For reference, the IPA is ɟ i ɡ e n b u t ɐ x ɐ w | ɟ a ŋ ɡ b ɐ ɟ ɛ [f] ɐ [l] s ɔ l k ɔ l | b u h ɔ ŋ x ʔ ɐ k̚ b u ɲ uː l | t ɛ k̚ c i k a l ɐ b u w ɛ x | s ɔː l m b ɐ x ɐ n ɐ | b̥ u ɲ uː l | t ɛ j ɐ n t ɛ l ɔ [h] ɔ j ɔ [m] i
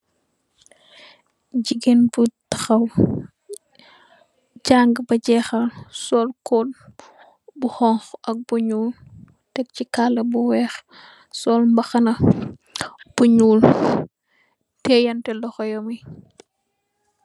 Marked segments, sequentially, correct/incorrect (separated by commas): incorrect, correct, incorrect, correct